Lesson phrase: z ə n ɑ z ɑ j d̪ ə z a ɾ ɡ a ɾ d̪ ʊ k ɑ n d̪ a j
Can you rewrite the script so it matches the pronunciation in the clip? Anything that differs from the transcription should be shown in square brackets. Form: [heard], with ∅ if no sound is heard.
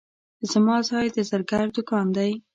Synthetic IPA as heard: z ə [m] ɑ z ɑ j d̪ ə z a ɾ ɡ a ɾ d̪ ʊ k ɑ n d̪ a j